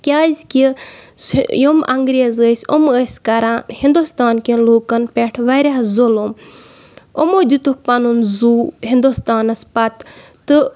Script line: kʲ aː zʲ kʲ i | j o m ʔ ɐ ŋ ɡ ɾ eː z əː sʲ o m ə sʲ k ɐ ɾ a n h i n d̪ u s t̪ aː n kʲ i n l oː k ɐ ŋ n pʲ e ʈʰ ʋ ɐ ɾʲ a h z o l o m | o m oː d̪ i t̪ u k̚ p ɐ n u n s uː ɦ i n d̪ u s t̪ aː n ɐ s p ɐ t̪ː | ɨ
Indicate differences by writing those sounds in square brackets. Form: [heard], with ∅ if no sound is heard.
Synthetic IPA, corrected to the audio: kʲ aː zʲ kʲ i | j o m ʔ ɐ ŋ ɡ ɾ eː z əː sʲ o m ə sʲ k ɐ ɾ a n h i n d̪ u s t̪ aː n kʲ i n l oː k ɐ [∅] n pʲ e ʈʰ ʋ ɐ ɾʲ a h z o l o m | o m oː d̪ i t̪ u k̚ p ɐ n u n [z] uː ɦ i n d̪ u s t̪ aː n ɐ s p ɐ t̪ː | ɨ